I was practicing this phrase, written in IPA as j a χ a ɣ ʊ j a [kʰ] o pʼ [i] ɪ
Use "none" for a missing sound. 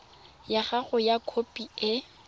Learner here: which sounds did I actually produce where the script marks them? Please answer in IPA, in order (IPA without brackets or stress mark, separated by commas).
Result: kʰ, i